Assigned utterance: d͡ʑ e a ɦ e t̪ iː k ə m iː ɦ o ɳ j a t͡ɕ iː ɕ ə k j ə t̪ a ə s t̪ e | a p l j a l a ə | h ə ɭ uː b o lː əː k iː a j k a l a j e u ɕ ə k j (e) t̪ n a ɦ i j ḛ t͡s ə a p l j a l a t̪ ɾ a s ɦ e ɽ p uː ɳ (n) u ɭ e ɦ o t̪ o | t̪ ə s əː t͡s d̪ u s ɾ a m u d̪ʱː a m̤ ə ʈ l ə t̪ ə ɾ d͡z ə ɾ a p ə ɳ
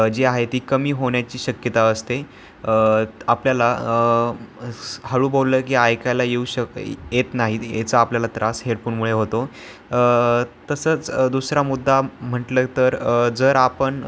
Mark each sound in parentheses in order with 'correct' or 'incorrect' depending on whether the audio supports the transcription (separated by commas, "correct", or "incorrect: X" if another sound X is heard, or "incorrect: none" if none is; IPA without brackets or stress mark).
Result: correct, incorrect: m